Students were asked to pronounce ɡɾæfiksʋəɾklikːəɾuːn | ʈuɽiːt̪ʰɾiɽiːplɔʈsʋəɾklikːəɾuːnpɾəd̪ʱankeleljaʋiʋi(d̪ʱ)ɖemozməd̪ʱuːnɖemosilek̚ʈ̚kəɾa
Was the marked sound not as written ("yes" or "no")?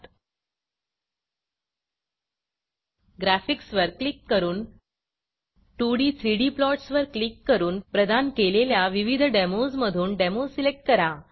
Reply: no